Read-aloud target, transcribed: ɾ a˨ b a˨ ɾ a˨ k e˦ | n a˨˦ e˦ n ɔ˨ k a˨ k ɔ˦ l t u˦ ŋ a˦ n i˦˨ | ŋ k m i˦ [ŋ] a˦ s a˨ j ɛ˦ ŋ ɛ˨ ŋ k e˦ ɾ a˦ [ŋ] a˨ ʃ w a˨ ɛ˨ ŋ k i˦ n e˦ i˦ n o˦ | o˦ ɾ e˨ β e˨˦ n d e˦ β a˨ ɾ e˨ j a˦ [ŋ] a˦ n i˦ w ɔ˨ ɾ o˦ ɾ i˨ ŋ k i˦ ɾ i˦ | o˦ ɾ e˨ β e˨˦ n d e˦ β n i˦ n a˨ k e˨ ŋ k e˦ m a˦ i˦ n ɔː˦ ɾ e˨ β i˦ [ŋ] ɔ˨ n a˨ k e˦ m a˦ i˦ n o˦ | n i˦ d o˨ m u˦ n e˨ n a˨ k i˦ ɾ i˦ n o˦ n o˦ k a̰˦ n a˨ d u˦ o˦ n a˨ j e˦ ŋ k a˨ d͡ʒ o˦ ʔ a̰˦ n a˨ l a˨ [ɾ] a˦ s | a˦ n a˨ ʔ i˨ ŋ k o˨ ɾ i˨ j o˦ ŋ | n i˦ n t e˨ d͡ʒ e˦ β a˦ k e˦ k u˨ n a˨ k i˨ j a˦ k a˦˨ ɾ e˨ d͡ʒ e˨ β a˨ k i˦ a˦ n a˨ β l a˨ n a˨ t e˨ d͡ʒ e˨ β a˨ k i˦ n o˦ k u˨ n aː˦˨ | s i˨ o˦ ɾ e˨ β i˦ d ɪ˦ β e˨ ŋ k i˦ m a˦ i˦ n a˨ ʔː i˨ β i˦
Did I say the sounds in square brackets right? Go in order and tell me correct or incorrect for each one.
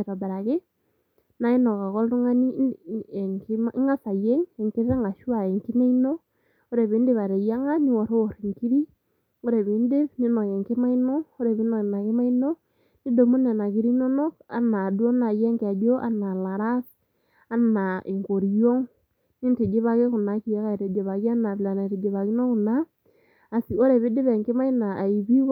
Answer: correct, correct, correct, incorrect: n, correct

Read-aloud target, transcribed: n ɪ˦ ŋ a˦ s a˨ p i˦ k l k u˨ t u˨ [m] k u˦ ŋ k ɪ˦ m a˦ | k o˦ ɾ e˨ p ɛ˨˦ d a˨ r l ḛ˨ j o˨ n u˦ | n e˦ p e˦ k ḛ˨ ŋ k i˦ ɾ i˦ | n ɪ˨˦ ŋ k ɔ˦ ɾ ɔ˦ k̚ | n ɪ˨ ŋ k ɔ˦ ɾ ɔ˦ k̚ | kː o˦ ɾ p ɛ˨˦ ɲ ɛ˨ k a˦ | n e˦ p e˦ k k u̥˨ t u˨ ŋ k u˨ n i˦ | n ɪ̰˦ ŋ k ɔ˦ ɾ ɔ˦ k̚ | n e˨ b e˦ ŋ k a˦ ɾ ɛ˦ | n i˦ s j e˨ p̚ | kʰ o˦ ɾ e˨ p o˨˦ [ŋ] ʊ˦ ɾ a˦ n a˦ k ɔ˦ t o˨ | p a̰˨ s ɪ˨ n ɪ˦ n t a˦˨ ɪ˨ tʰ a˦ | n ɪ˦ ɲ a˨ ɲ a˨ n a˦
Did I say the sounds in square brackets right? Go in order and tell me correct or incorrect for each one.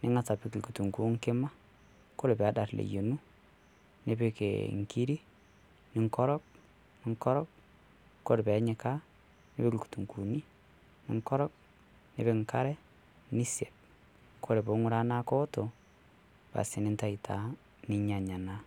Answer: incorrect: ŋ, correct

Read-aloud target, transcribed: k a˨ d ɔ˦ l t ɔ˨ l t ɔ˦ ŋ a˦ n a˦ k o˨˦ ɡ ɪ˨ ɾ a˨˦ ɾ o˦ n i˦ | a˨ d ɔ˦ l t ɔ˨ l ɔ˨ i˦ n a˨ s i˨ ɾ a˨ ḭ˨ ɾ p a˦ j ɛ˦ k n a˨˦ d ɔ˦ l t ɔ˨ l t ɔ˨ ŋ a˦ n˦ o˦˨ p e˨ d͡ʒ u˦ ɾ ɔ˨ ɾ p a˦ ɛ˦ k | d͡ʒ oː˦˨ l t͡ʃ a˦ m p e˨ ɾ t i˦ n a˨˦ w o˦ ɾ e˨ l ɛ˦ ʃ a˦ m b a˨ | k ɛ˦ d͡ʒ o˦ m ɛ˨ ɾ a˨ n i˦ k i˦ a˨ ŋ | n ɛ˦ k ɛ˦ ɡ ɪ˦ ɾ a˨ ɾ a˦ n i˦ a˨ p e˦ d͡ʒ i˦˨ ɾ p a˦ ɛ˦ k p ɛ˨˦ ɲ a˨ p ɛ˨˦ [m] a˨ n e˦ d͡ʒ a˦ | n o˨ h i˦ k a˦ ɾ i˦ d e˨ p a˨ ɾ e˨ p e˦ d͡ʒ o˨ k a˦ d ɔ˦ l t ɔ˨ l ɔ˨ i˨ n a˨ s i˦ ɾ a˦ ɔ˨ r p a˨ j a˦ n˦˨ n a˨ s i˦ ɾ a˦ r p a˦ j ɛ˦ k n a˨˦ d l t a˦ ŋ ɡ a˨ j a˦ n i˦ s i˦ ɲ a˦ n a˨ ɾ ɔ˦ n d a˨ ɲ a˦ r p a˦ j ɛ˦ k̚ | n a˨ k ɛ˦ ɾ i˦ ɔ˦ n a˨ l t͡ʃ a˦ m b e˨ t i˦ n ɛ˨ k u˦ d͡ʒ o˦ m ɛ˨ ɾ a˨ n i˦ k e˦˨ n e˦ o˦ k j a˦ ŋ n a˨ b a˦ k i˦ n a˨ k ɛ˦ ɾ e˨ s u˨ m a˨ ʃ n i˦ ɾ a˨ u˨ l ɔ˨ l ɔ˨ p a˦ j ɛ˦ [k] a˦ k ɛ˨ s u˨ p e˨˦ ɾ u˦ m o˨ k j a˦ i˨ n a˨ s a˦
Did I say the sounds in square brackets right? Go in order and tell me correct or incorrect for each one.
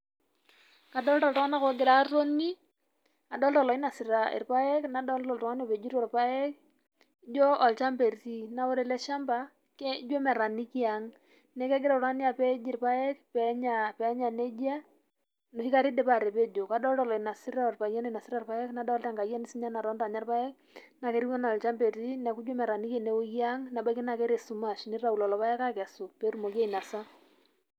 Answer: incorrect: ɲ, correct

